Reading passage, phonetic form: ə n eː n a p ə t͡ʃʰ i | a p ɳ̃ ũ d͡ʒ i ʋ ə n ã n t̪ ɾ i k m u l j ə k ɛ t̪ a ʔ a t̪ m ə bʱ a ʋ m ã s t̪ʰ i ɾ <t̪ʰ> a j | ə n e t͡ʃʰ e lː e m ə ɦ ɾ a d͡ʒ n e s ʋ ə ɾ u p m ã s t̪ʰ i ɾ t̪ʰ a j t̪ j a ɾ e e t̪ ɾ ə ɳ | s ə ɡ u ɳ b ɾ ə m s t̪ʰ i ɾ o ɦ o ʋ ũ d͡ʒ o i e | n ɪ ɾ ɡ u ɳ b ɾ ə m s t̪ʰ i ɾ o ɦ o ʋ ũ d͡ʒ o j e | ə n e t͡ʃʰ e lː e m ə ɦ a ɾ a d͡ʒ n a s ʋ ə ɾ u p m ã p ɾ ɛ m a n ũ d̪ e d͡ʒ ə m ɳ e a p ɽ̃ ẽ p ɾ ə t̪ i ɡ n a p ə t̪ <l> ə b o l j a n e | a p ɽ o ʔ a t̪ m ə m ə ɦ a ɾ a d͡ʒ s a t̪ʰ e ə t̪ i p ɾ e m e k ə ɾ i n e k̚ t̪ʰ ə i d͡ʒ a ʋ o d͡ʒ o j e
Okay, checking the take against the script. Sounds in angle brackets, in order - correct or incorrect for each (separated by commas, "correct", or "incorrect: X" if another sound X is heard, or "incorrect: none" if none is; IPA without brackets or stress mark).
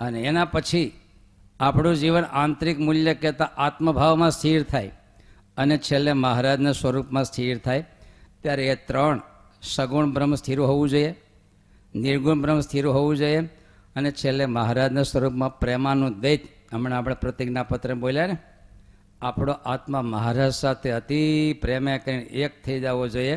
correct, incorrect: ɾ